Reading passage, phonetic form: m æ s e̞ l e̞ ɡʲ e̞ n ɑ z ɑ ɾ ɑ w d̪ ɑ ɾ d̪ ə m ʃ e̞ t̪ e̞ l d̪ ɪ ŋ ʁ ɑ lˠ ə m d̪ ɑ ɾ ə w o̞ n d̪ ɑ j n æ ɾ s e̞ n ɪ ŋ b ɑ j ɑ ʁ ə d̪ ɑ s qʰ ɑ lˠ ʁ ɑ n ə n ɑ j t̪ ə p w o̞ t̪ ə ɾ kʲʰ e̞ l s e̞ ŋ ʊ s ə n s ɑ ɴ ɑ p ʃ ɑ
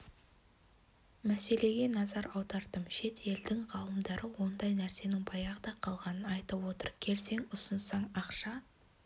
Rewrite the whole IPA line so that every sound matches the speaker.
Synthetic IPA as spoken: m æ s e̞ l e̞ ɡʲ e̞ n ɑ z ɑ ɾ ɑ w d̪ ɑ ɾ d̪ ə m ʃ e̞ t̪ e̞ l d̪ ɪ ŋ ʁ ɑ lˠ ə m d̪ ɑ ɾ ə w o̞ n d̪ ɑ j n æ ɾ s e̞ n ɪ ŋ b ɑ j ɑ ʁ ə d̪ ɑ qʰ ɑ lˠ ʁ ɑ n ə n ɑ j t̪ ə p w o̞ t̪ ə ɾ kʲʰ e̞ l s e̞ ŋ ʊ s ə n s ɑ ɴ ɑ q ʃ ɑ